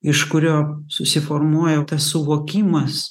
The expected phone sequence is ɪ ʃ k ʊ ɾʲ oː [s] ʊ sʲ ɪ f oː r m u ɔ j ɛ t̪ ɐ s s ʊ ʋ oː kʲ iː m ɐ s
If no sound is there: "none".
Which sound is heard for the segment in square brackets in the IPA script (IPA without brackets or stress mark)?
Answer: s